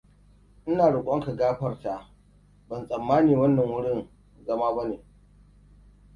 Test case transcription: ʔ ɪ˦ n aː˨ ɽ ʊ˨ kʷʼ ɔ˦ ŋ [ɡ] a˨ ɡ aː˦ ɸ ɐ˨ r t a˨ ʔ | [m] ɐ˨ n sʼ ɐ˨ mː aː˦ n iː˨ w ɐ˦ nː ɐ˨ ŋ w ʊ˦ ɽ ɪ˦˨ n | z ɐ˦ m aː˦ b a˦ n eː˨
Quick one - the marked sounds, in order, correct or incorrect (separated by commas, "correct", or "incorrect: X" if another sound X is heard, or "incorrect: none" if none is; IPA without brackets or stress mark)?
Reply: incorrect: k, incorrect: b